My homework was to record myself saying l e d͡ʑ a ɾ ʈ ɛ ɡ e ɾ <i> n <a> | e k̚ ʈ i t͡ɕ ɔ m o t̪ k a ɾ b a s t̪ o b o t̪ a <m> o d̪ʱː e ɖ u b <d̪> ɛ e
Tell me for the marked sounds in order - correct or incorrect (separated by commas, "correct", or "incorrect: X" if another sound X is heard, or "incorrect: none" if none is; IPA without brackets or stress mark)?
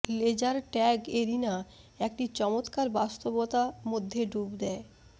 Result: correct, correct, correct, correct